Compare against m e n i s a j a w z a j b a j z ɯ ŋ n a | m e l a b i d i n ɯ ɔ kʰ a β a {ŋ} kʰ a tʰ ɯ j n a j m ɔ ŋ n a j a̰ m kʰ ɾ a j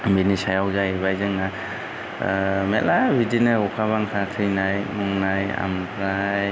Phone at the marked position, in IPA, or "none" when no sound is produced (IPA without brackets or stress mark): ŋ